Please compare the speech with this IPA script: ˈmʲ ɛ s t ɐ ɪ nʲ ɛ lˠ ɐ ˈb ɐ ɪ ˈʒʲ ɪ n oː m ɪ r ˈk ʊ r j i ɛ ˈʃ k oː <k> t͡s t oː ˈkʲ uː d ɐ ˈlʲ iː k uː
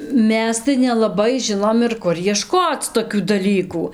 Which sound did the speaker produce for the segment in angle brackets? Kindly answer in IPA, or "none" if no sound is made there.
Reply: none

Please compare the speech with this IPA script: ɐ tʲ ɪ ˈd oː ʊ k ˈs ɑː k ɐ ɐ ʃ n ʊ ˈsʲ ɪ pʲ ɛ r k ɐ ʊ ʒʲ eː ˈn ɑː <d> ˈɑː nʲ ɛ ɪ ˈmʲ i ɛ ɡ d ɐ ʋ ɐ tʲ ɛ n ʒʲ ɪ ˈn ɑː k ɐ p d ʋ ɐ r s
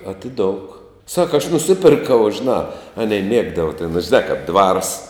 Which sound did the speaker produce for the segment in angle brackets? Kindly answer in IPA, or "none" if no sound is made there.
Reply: none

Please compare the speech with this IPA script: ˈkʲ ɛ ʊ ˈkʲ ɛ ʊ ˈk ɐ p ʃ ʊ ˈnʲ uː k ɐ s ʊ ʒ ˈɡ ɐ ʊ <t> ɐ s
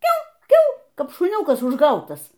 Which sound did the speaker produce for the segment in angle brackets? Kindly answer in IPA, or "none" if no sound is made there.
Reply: t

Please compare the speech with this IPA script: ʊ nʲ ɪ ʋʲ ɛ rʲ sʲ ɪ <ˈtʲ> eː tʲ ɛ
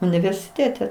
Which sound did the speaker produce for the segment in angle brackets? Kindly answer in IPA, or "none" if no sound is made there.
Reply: tʲ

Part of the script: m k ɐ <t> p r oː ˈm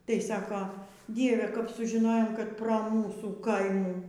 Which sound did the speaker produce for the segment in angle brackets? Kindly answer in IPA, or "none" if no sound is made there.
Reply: t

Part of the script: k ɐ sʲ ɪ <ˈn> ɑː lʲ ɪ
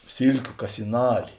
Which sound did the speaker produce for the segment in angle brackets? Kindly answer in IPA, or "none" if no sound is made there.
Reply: n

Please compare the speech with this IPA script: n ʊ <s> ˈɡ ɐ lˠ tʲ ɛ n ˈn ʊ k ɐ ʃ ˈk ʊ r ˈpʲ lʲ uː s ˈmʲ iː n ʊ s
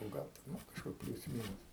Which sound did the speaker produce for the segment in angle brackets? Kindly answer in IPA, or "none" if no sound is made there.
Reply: none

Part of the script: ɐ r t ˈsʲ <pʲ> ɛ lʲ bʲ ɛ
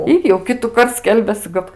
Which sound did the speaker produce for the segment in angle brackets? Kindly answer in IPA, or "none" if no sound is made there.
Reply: kʲ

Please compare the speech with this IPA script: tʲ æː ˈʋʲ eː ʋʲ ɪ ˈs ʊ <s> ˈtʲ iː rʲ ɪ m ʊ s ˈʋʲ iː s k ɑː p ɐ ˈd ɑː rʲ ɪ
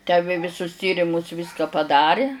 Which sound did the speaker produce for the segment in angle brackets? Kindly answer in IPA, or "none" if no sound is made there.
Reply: s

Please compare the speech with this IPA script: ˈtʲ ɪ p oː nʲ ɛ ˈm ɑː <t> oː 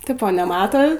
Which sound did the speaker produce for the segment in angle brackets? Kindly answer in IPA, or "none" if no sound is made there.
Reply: t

